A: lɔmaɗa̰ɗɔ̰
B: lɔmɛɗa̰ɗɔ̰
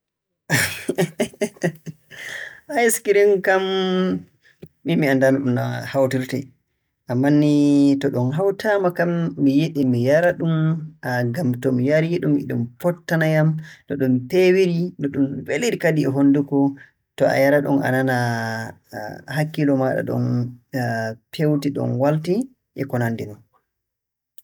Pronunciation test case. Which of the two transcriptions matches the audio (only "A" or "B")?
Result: A